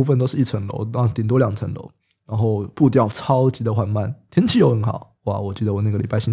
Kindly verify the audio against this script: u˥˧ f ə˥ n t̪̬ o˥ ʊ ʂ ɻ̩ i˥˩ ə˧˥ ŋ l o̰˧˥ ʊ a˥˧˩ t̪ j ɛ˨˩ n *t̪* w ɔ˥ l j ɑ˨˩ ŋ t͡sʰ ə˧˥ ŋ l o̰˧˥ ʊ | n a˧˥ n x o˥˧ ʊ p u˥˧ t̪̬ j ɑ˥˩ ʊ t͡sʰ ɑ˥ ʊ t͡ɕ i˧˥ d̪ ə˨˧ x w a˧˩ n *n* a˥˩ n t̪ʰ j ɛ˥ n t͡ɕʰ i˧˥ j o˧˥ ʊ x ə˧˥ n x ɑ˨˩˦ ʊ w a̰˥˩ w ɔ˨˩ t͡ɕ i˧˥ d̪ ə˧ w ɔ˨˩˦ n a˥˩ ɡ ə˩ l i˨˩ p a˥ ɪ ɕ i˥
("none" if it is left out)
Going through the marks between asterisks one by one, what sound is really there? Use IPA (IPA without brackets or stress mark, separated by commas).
t̪, m